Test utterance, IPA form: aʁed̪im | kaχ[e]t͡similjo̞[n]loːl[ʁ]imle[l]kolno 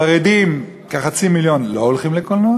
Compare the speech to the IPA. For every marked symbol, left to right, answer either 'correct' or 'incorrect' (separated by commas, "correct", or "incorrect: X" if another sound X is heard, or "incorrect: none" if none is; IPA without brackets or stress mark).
incorrect: a, correct, incorrect: χ, incorrect: none